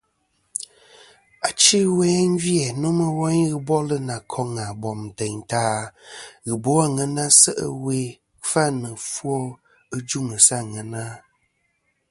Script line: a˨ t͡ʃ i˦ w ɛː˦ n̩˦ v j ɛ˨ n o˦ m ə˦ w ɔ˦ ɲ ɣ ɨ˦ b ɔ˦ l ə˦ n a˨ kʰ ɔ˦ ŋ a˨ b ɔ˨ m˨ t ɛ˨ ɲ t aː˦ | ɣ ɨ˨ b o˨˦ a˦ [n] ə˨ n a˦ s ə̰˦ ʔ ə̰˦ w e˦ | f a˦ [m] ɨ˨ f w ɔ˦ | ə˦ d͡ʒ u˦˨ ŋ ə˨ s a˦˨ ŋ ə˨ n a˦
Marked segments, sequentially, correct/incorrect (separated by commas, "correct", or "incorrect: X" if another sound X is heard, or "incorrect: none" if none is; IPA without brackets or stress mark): incorrect: ŋ, incorrect: n